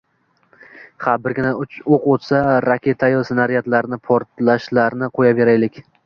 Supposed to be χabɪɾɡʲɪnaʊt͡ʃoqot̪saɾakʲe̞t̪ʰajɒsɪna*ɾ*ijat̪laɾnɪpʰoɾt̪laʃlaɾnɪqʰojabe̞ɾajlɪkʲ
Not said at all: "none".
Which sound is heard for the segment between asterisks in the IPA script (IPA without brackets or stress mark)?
ɾ